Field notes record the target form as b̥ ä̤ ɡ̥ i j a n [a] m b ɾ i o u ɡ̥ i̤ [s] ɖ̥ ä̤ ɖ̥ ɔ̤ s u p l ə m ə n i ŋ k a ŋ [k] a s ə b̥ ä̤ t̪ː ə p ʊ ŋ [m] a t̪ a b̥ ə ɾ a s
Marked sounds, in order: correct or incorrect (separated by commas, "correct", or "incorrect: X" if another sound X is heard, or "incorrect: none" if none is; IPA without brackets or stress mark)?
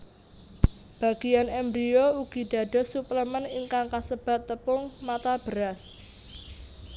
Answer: incorrect: ɛ, incorrect: none, correct, correct